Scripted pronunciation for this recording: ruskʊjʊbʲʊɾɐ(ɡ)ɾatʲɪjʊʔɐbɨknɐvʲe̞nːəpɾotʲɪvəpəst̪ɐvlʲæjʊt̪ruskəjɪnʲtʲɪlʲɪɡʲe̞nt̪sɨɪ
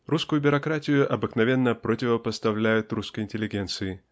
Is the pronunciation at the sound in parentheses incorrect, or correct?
incorrect